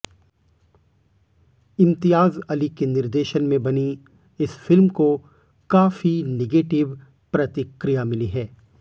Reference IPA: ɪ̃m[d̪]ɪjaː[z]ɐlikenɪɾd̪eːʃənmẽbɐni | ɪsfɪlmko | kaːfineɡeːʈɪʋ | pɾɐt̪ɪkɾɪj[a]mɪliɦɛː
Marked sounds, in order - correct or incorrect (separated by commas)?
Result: incorrect, correct, correct